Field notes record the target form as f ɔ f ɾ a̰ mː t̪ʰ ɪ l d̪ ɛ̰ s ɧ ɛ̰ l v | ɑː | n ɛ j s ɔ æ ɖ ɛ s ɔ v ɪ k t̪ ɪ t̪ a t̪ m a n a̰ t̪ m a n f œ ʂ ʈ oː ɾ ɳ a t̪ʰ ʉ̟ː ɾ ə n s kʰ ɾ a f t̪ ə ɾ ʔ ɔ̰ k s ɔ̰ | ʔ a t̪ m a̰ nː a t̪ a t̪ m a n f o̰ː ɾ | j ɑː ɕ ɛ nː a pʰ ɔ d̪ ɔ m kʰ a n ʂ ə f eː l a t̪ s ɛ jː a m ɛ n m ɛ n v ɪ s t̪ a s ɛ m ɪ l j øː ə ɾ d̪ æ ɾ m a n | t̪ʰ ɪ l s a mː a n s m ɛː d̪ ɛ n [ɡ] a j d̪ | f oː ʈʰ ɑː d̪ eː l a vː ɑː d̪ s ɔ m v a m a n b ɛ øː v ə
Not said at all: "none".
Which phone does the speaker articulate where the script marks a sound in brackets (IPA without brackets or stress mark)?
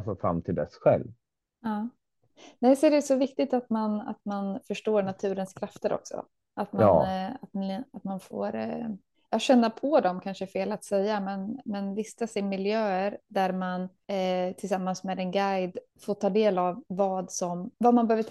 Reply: ɡ